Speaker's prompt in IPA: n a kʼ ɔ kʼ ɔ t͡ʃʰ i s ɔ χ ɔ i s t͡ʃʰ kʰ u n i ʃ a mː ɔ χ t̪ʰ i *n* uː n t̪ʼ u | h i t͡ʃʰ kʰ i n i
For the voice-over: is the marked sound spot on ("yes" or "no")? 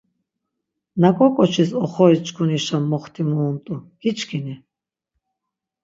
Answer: no